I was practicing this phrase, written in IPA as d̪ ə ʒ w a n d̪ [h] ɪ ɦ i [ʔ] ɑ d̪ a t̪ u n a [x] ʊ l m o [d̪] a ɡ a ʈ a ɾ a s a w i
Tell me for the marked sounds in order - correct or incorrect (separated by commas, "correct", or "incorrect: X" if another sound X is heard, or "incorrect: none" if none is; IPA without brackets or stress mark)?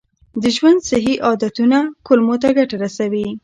incorrect: s, correct, incorrect: k, incorrect: t̪